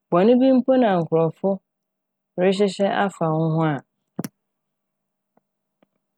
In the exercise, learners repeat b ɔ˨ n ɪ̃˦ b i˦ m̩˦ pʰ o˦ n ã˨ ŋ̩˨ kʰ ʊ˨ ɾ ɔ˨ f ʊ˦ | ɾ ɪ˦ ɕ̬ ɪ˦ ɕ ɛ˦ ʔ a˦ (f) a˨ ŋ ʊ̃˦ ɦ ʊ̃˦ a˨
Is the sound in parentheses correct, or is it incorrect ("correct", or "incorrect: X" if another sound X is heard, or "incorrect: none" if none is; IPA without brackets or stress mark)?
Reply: correct